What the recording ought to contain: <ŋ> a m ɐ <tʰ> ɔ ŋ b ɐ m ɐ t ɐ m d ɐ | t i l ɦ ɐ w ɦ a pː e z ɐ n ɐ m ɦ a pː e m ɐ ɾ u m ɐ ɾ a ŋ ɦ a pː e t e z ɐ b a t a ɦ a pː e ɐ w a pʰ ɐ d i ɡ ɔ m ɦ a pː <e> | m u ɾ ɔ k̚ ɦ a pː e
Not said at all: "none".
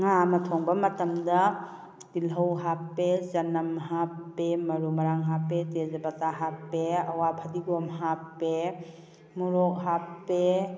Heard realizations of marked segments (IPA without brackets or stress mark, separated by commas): ŋ, tʰ, e